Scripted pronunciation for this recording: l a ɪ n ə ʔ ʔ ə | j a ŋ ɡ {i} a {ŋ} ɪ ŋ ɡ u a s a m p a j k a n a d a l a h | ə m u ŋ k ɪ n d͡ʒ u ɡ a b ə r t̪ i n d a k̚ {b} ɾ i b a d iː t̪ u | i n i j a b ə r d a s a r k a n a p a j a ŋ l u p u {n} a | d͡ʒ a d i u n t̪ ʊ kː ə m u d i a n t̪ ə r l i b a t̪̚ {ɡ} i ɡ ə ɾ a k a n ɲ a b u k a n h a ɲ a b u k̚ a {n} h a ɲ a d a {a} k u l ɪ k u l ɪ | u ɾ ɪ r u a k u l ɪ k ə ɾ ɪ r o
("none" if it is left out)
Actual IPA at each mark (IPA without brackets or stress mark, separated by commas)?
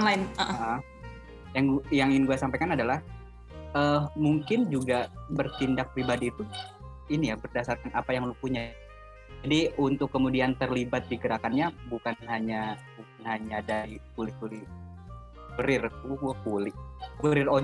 j, ŋ, p, ɲ, d, n, i